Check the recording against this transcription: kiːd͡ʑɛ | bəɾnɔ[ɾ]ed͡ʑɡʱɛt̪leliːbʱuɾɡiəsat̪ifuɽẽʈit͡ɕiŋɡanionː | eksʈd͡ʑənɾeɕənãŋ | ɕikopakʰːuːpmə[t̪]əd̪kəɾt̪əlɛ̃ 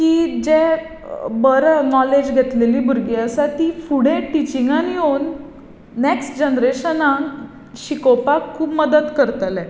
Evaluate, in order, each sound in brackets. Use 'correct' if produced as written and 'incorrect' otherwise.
incorrect, incorrect

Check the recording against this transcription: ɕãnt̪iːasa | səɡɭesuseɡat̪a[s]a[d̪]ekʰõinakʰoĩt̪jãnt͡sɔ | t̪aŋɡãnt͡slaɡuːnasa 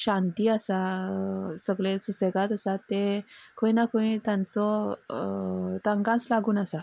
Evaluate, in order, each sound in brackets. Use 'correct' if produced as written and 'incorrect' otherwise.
correct, incorrect

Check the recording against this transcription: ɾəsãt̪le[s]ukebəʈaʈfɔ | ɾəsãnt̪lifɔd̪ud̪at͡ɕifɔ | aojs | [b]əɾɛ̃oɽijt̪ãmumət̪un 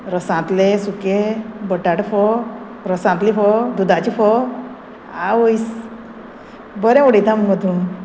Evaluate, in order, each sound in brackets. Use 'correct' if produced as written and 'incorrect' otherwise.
correct, correct

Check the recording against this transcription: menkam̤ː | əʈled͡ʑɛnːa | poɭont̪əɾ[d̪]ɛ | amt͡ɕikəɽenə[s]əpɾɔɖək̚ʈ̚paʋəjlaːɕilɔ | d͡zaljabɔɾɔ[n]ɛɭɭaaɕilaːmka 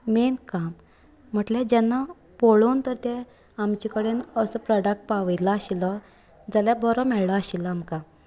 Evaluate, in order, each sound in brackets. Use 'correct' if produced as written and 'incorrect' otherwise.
incorrect, correct, incorrect

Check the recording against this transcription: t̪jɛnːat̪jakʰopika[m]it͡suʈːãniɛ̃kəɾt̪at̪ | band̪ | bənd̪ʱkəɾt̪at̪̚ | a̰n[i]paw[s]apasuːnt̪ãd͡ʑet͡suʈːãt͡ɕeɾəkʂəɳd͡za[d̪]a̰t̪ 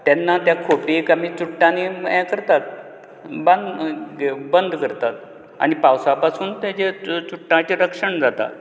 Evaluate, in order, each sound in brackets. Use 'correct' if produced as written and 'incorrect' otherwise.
correct, correct, correct, incorrect

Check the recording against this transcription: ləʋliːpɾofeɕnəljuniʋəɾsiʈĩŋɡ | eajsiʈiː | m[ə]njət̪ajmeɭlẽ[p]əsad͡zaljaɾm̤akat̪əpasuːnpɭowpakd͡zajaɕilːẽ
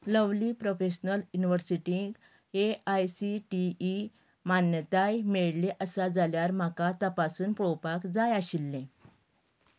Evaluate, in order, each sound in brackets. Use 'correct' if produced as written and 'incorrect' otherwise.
incorrect, incorrect

